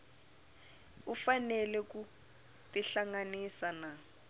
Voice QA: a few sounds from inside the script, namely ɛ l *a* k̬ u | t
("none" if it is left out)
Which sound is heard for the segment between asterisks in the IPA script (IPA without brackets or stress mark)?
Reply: ɛ